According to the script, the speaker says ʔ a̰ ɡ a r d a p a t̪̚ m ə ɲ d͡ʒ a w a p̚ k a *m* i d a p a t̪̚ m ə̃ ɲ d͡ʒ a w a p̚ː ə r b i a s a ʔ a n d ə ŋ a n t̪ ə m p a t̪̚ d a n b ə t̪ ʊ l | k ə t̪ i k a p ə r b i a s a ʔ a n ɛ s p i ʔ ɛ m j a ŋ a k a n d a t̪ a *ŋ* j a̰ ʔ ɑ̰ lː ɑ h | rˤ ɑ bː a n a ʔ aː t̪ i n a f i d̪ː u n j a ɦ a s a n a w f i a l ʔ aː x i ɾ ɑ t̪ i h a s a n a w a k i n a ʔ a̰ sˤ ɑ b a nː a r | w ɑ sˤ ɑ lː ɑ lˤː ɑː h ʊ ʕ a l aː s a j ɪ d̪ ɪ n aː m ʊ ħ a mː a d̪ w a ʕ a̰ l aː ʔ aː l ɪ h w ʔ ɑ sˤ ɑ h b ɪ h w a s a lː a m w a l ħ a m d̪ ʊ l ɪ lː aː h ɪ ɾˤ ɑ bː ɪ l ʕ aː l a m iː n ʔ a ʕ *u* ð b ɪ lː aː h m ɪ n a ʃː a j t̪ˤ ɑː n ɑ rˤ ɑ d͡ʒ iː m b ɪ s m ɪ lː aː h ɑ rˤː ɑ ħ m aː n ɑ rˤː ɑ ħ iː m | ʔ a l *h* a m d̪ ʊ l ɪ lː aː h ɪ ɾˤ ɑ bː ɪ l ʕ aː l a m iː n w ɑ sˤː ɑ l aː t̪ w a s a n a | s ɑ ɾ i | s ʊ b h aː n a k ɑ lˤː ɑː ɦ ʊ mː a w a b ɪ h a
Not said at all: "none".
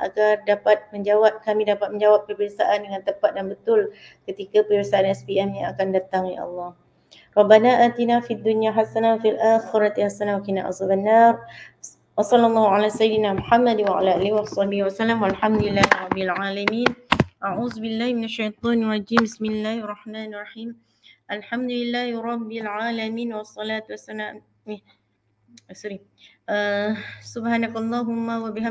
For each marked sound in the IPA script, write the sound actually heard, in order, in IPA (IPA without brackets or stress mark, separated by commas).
m, ŋ, uː, ħ